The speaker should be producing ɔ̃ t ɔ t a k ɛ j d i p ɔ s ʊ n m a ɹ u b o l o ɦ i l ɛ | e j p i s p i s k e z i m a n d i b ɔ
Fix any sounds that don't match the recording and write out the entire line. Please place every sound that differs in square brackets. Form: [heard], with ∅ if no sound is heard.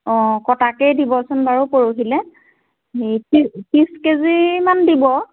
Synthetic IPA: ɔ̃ [k] ɔ t a k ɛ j d i [b] ɔ s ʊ n [b] a ɹ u [p] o [ɹ] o ɦ i l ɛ | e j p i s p i s k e z i m a n d i b ɔ